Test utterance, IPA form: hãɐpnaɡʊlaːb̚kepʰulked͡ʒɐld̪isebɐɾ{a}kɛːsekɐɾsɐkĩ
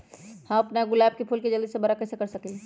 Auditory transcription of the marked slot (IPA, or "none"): a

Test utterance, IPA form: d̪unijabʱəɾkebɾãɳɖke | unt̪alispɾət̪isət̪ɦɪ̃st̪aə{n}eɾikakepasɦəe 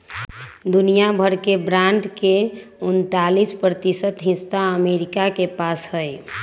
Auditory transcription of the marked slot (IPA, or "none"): m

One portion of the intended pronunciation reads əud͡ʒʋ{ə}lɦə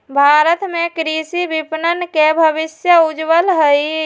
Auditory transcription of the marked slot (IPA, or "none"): ə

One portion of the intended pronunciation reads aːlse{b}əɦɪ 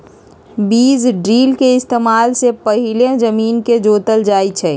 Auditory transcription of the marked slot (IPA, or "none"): p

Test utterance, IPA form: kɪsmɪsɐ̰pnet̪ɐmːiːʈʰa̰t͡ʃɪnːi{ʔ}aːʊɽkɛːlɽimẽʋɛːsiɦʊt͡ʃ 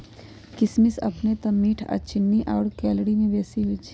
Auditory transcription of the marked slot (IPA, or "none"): ʔ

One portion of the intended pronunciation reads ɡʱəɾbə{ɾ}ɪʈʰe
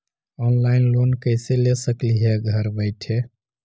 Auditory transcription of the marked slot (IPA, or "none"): none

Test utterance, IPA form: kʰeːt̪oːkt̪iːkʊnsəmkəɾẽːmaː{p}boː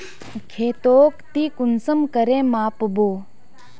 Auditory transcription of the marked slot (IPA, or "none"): p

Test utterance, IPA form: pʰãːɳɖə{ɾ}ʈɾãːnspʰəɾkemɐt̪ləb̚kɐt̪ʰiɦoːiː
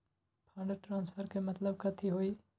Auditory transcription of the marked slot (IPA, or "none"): ɾ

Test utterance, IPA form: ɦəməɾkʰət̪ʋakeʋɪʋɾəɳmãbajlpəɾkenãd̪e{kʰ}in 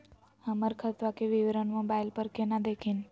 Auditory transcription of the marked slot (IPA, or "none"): kʰ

